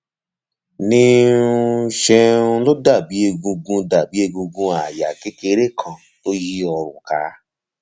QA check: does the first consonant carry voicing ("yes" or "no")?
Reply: yes